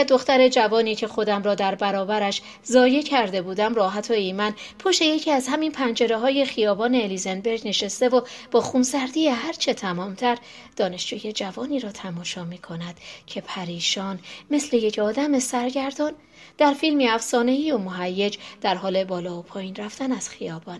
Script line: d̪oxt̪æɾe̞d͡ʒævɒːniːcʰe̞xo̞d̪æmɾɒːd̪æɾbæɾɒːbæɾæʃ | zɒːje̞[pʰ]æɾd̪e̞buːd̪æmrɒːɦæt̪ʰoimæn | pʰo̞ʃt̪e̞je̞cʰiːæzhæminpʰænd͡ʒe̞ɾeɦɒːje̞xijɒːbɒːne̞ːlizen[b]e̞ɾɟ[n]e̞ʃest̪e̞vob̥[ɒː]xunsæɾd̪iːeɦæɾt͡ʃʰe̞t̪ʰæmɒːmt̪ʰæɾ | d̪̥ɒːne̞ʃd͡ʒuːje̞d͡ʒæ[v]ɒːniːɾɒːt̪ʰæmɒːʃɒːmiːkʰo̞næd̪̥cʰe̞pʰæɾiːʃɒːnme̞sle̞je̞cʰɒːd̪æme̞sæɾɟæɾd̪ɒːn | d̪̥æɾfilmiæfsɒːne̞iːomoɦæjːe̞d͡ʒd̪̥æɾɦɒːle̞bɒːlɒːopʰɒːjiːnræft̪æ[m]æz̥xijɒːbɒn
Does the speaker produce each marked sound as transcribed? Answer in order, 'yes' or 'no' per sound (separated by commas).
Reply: no, yes, yes, yes, yes, no